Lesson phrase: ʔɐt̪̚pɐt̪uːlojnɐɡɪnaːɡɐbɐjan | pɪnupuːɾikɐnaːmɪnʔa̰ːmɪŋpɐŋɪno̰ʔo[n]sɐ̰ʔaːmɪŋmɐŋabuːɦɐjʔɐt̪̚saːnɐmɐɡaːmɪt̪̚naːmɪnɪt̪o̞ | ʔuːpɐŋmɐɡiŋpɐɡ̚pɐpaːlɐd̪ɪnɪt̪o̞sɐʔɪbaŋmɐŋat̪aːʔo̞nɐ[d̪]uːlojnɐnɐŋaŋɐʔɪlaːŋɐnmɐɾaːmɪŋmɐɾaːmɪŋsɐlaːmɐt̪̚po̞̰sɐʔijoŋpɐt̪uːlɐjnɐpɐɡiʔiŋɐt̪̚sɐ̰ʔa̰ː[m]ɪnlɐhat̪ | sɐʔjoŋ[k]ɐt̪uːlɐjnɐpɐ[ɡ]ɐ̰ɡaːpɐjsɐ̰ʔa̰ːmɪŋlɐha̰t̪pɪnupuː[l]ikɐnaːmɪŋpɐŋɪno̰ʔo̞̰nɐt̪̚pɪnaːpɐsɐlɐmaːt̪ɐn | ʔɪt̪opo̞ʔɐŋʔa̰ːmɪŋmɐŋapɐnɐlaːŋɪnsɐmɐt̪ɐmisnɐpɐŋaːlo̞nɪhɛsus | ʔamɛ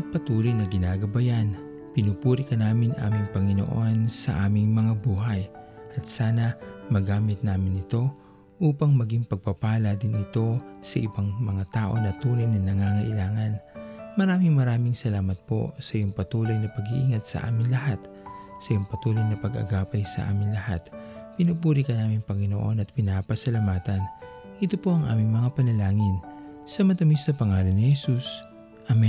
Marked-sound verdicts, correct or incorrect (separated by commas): correct, incorrect, correct, incorrect, correct, incorrect